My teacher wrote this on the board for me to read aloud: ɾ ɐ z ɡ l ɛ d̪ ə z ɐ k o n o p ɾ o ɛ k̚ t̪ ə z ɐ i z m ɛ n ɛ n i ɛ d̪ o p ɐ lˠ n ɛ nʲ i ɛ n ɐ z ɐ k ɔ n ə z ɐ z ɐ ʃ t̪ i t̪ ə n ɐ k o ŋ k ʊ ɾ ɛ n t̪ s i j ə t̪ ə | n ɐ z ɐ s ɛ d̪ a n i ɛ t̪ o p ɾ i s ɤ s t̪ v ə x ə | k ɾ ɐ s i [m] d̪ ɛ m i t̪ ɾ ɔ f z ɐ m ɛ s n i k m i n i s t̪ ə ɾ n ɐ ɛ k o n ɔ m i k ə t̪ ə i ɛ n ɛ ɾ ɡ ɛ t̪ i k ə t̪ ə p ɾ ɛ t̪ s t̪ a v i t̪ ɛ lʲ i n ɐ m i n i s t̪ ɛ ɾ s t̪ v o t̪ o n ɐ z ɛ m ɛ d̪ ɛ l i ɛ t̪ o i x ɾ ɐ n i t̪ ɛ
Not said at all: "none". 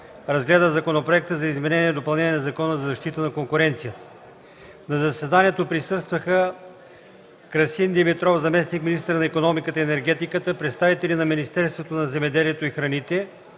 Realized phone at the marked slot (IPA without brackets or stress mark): n